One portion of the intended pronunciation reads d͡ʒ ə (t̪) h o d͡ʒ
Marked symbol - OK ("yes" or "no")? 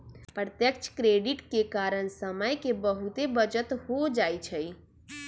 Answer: yes